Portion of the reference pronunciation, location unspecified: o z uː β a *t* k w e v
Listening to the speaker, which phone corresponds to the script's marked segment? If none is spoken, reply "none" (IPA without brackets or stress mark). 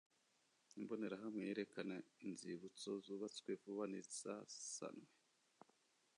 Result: t͡s